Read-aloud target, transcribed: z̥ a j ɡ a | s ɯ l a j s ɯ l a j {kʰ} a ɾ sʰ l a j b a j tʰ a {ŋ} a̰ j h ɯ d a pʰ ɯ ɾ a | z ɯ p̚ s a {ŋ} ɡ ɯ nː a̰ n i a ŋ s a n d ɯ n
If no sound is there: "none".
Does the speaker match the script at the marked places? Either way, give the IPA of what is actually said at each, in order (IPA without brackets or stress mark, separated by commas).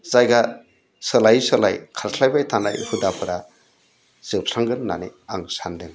kʰ, n, ŋ